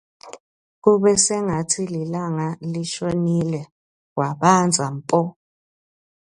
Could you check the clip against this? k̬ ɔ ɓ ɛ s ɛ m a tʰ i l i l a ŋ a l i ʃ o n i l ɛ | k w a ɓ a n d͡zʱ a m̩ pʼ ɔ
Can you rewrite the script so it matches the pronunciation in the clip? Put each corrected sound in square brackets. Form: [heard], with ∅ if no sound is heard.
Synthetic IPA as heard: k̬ [u] ɓ ɛ s ɛ [ŋ] a tʰ i l i l a ŋ a l i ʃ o n i l ɛ | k w a ɓ a n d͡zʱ a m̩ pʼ ɔ